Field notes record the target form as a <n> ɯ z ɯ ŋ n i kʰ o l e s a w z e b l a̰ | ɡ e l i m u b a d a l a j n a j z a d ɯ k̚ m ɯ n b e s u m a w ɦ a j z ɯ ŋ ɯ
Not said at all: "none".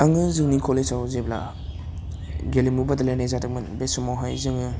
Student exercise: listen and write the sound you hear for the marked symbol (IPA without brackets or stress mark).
ŋ